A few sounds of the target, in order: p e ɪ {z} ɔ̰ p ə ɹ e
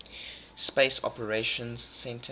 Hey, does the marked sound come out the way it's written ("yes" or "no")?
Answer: no